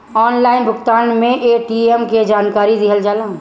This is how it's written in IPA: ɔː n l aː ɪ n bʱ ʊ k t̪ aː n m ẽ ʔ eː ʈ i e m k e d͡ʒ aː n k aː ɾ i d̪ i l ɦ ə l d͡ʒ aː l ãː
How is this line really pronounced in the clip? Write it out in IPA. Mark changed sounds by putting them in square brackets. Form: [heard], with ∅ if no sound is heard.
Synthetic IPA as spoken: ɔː n l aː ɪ n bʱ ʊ k t̪ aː n m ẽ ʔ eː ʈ i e m k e d͡ʒ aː n k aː ɾ i d̪ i [∅] ɦ ə l d͡ʒ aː l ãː